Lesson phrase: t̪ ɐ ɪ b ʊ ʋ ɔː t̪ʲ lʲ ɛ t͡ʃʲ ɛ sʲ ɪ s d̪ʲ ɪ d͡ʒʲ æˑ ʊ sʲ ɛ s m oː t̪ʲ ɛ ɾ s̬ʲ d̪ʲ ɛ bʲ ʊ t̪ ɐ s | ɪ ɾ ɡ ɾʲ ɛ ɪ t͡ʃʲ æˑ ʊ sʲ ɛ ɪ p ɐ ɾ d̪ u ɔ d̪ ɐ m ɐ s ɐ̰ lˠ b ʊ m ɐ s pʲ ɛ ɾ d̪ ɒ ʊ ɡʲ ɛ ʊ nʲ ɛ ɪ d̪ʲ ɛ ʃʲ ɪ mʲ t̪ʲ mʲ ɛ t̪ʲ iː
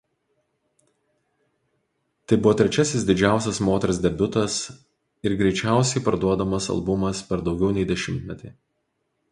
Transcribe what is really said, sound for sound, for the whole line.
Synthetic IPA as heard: t̪ ɐ ɪ b ʊ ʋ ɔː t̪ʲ ɾʲ ɛ t͡ʃʲ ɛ sʲ ɪ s d̪ʲ ɪ d͡ʒʲ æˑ ʊ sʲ ɛ s m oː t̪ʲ ɛ ɾ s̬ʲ d̪ʲ ɛ bʲ ʊ t̪ ɐ s | ɪ ɾ ɡ ɾʲ ɛ ɪ t͡ʃʲ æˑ ʊ sʲ ɛ ɪ p ɐ ɾ d̪ u ɔ d̪ ɐ m ɐ s ɐ̰ lˠ b ʊ m ɐ s pʲ ɛ ɾ d̪ ɒ ʊ ɡʲ ɛ ʊ nʲ ɛ ɪ d̪ʲ ɛ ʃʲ ɪ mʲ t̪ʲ mʲ ɛ t̪ʲ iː

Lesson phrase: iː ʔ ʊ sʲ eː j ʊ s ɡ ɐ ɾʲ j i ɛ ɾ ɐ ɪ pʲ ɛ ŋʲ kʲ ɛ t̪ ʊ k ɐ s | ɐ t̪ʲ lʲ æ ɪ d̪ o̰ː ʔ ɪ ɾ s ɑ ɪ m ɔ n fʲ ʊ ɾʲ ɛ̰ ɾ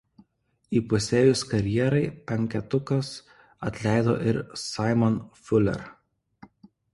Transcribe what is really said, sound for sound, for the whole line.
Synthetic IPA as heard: iː p ʊ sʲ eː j ʊ s k ɐ ɾʲ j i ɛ ɾ ɐ ɪ pʲ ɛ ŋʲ kʲ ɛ t̪ ʊ k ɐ s | ɐ t̪ʲ lʲ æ ɪ d̪ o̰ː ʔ ɪ ɾ s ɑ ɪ m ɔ n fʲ ʊ lʲ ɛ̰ ɾ

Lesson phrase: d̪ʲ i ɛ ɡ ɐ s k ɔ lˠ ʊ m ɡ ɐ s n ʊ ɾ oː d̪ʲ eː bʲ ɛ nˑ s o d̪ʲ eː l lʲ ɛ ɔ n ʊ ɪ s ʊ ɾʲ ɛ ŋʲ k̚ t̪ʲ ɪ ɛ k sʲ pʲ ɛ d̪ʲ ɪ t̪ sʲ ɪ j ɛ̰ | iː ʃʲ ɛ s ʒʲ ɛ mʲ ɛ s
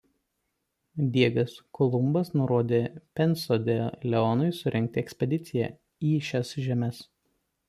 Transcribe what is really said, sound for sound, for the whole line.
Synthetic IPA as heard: d̪ʲ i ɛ ɡ ɐ s k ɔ lˠ ʊ m b ɐ s n ʊ ɾ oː d̪ʲ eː pʲ ɛ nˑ s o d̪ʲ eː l lʲ ɛ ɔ n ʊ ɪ s ʊ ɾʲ ɛ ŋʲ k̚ t̪ʲ ɪ ɛ k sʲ pʲ ɛ d̪ʲ ɪ t̪ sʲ ɪ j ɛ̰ | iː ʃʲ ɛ s ʒʲ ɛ mʲ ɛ s

